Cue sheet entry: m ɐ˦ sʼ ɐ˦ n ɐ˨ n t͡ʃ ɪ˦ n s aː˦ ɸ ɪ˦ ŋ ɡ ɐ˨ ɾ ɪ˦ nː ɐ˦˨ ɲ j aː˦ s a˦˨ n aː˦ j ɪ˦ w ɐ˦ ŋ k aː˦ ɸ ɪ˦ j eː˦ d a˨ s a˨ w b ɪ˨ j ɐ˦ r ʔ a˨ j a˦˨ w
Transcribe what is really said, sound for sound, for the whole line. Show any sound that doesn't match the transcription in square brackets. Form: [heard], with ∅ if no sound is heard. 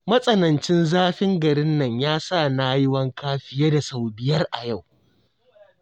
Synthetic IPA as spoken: m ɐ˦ sʼ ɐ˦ n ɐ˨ n t͡ʃ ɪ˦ n [z] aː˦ ɸ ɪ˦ ŋ ɡ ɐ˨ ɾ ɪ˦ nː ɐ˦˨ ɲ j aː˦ s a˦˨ n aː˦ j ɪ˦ w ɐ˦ ŋ k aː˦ ɸ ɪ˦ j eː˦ d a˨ s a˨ w b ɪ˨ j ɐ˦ r ʔ a˨ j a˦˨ w